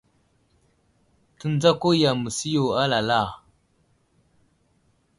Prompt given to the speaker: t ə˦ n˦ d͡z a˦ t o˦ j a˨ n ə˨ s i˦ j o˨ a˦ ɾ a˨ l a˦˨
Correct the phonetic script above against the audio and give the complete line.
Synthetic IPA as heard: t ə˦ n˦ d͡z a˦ k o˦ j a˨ m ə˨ s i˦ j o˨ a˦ l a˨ l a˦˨